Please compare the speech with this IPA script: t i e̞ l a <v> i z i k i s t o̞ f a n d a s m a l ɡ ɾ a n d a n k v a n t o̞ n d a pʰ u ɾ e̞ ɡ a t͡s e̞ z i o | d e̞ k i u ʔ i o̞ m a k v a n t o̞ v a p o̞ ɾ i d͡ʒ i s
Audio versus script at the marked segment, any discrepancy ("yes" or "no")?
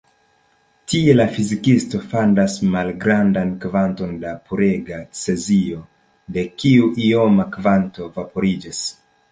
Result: yes